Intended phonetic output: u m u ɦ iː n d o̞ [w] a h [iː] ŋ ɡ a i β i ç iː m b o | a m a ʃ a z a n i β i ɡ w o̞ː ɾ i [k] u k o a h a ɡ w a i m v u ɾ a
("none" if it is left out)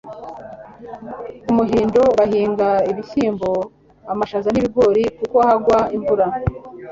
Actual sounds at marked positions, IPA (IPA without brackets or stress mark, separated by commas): β, iː, k